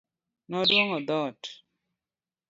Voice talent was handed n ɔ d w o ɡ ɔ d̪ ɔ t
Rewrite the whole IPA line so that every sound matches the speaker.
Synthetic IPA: n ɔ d w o ŋ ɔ d̪ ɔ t